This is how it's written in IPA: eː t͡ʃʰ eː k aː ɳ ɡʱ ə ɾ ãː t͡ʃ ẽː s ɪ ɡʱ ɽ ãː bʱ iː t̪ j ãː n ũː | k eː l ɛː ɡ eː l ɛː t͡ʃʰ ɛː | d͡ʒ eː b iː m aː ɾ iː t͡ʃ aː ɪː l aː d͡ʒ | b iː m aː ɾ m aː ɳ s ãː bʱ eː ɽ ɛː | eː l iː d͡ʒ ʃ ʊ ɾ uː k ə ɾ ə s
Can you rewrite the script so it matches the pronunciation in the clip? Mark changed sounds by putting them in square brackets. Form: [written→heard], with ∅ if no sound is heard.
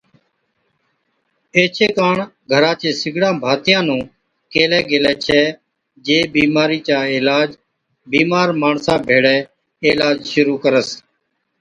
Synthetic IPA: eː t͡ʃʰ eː k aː ɳ ɡʱ ə ɾ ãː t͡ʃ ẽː s ɪ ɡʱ ɽ ãː bʱ [iː→aː] t̪ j ãː n ũː | k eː l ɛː ɡ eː l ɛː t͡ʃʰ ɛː | d͡ʒ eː b iː m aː ɾ iː t͡ʃ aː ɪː l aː d͡ʒ | b iː m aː ɾ m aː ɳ s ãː bʱ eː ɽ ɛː | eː l [iː→aː] d͡ʒ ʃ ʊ ɾ uː k ə ɾ ə s